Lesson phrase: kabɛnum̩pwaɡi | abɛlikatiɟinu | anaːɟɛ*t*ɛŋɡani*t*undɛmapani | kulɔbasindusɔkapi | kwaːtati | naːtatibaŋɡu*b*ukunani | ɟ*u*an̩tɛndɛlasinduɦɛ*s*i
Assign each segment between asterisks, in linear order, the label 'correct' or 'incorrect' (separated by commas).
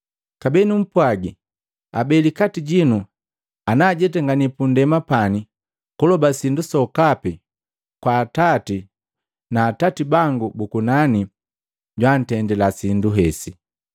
correct, incorrect, correct, incorrect, correct